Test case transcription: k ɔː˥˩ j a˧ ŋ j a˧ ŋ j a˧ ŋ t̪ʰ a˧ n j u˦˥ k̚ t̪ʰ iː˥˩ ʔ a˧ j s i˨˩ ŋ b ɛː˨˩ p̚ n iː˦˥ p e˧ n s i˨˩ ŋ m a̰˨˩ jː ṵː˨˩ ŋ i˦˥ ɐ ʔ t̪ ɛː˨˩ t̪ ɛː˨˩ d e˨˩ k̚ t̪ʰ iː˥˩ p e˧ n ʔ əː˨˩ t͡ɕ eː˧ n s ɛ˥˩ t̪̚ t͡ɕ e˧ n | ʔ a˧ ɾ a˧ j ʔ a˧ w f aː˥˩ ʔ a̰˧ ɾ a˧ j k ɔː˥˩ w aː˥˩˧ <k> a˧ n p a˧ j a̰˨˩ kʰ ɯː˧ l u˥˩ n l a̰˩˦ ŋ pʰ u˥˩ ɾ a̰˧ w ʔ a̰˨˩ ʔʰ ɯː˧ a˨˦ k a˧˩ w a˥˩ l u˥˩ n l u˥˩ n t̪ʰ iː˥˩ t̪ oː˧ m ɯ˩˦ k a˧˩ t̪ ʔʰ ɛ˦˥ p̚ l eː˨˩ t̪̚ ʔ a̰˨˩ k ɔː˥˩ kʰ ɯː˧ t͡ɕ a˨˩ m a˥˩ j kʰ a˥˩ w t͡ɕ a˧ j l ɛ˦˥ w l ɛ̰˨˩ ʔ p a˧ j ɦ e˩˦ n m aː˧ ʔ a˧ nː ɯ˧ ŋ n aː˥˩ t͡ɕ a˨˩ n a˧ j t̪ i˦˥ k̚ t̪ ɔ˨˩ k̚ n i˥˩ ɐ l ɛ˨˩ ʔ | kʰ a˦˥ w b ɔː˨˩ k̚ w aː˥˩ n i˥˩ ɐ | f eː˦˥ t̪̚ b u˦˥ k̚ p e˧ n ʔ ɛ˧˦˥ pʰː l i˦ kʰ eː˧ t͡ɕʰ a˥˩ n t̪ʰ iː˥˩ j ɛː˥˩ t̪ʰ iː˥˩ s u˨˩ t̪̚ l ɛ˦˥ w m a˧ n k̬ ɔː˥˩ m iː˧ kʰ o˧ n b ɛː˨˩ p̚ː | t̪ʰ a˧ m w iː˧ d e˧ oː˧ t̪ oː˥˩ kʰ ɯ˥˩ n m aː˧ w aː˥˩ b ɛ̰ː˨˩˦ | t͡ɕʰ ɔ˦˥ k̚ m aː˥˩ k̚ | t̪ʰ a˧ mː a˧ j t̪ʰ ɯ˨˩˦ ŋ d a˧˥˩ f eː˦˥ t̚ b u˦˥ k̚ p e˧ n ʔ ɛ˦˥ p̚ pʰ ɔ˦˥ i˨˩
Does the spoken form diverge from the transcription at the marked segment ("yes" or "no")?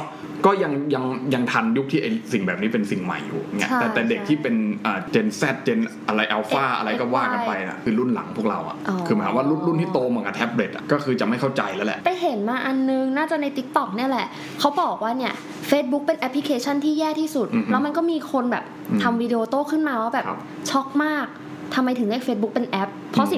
no